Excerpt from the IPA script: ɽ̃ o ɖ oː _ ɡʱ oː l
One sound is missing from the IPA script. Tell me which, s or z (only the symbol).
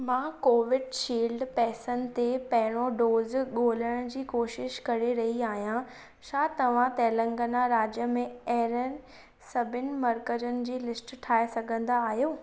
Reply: z